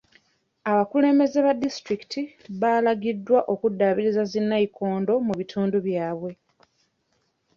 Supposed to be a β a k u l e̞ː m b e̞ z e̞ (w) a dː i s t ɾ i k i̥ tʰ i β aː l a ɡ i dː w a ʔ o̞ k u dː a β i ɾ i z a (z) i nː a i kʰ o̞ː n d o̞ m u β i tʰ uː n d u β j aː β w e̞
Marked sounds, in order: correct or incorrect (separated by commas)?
incorrect, correct